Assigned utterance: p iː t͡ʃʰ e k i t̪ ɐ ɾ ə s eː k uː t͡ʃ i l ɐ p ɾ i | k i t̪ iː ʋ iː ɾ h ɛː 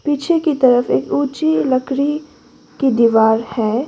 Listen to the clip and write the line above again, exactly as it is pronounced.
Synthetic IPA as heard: p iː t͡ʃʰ e k i t̪ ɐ ɾ ə f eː k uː t͡ʃ i l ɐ k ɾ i | k i d̪ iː ʋ aː ɾ h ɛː